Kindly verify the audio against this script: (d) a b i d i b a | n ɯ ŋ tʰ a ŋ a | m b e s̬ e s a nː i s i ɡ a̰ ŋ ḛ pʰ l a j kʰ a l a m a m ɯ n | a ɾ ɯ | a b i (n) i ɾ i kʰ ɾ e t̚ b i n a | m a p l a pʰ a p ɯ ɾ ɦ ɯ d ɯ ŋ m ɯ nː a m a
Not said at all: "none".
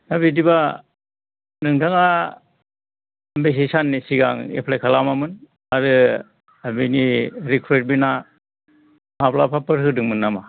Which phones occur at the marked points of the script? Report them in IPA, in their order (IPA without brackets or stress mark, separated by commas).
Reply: n, n